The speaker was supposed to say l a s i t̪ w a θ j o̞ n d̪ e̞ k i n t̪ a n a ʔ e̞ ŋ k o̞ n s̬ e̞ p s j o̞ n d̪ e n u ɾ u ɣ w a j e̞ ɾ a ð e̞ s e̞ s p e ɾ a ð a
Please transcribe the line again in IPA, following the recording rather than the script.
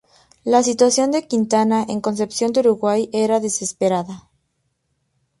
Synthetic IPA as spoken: l a s i t̪ w a s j o̞ n d̪ e̞ k i n t̪ a n a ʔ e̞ ŋ k o̞ n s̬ e̞ p s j o̞ n d̪ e u ɾ u ɣ w a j e̞ ɾ a ð e̞ s e̞ s p e ɾ a ð a